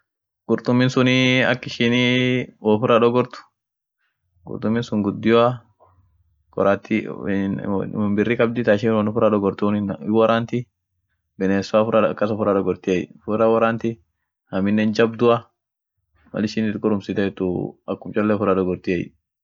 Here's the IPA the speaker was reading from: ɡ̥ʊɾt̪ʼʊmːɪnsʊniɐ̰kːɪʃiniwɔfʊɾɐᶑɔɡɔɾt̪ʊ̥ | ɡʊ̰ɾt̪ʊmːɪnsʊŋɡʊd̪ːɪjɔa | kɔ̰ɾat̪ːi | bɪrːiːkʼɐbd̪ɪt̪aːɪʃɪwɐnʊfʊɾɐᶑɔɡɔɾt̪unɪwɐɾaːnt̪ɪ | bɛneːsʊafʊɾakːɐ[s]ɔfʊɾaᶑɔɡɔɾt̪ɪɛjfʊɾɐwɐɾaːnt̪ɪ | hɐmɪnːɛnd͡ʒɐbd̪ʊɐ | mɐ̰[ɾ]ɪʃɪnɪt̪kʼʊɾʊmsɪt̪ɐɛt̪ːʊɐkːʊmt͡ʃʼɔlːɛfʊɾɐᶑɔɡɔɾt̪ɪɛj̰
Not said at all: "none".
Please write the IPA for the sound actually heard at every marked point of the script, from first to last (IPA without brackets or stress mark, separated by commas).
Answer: s, l